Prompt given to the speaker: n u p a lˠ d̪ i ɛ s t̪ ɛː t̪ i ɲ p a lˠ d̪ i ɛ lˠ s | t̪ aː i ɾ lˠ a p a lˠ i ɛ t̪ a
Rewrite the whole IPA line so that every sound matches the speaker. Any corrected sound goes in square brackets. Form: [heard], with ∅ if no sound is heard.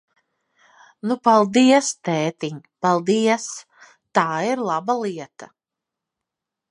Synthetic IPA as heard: n u p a lˠ d̪ i ɛ s t̪ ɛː t̪ i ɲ p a lˠ d̪ i ɛ [∅] s | t̪ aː i ɾ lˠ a [b] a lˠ i ɛ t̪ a